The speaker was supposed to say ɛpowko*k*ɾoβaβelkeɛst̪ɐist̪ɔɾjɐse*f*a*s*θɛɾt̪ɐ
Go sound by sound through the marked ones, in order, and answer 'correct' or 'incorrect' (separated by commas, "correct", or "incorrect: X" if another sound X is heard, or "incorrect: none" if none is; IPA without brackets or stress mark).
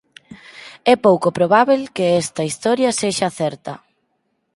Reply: incorrect: p, incorrect: ʃ, incorrect: none